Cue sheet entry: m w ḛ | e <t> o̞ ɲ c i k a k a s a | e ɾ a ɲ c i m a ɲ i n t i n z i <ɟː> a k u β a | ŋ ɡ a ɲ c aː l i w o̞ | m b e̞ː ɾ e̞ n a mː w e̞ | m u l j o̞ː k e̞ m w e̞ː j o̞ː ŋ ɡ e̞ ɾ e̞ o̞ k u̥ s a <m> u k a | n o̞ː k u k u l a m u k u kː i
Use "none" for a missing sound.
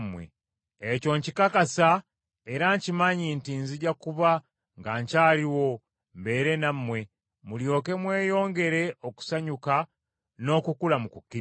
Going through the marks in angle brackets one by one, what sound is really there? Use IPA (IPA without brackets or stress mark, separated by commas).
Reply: c, ɟ, ɲ